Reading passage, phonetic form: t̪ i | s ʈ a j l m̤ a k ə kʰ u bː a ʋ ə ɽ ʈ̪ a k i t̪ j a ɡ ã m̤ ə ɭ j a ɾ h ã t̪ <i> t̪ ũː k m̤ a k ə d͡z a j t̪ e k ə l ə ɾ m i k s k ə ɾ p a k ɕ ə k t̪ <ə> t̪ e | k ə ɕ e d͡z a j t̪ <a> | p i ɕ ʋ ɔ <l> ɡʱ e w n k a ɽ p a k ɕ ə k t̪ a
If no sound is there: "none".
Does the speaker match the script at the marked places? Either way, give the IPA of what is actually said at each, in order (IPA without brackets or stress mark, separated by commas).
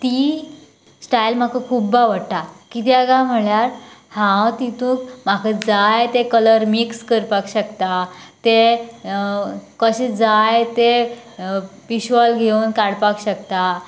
i, a, e, l